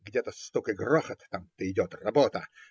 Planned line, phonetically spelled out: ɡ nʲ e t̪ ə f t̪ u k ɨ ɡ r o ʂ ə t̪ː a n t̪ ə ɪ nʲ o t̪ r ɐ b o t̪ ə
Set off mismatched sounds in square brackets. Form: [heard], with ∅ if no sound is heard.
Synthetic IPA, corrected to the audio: ɡ [dʲ] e t̪ ə [s] t̪ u k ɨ ɡ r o [x] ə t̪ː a [m] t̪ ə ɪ [dʲ] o t̪ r ɐ b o t̪ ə